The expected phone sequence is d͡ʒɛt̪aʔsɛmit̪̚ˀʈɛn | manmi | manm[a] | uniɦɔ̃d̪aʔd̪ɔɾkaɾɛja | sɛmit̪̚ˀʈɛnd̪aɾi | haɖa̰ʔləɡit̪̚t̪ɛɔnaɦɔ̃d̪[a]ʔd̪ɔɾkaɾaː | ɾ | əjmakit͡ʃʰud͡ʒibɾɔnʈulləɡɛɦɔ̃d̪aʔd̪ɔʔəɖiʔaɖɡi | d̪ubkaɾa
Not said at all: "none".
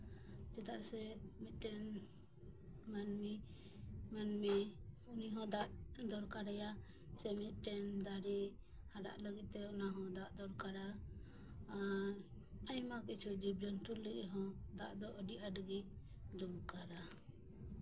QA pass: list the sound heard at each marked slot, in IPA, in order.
i, a

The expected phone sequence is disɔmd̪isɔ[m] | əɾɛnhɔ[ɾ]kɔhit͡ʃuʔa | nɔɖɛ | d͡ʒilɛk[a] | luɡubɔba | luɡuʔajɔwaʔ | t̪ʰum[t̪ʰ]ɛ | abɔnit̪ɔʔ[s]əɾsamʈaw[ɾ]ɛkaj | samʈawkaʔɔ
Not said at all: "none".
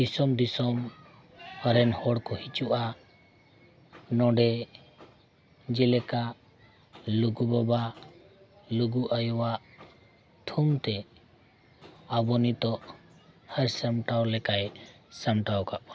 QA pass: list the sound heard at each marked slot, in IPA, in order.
m, ɽ, a, t̪, h, l

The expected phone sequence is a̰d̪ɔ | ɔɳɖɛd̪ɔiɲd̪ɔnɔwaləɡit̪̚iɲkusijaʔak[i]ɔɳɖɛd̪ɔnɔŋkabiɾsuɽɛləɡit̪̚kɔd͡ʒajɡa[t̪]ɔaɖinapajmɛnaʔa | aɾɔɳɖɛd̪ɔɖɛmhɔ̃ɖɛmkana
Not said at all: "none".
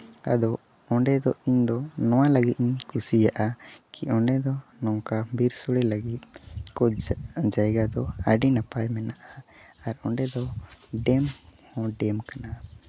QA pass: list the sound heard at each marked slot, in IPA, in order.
i, d̪

